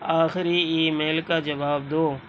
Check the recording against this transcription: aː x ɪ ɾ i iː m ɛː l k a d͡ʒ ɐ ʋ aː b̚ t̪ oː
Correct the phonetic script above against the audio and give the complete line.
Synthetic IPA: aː x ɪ ɾ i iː m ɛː l k a d͡ʒ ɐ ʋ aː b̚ d̪ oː

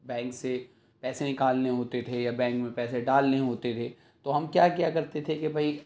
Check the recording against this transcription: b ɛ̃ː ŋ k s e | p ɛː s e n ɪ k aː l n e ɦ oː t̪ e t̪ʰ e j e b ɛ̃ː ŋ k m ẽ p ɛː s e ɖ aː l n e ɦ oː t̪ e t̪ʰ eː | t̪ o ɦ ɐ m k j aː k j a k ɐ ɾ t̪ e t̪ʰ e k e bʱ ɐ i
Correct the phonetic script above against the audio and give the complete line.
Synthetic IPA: b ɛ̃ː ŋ k s e | p ɛː s e n ɪ k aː l n e ɦ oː t̪ e t̪ʰ e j a b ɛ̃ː ŋ k m ẽ p ɛː s e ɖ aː l n e ɦ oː t̪ e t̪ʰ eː | t̪ o ɦ ɐ m k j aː k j a k ɐ ɾ t̪ e t̪ʰ e k e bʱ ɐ i

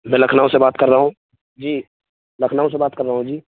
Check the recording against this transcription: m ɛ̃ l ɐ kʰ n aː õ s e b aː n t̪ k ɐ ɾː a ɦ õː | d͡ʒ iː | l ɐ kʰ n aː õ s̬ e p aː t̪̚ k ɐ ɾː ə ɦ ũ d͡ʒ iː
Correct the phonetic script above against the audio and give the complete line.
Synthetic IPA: m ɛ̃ l ɐ kʰ n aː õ s e b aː t̪ k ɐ ɾː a ɦ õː | d͡ʒ iː | l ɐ kʰ n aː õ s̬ e b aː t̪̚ k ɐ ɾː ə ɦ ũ d͡ʒ iː

